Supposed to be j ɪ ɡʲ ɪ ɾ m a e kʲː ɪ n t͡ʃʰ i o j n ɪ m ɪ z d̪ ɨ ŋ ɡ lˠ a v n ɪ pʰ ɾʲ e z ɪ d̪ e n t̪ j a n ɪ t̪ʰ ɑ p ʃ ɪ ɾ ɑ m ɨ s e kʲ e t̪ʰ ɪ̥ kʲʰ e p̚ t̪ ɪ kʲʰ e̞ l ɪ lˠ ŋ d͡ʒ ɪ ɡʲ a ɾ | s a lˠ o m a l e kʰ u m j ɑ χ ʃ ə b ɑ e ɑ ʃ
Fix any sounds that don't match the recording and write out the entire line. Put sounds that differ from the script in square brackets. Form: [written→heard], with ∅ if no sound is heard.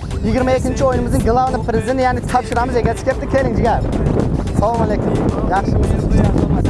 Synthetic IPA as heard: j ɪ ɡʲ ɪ ɾ m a e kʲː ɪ n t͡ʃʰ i o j n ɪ m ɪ z d̪ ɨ ŋ ɡ lˠ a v n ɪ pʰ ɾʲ e z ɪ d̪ e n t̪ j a n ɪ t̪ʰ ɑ p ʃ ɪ ɾ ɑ m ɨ [s→z] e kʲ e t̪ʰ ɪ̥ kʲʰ e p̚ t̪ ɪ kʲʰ e̞ l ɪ [lˠ→∅] ŋ d͡ʒ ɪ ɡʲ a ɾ | s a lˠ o m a l e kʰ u m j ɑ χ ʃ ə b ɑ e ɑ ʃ